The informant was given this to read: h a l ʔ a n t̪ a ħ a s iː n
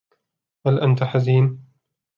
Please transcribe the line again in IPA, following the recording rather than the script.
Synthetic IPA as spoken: h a l ʔ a n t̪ a ħ a z iː n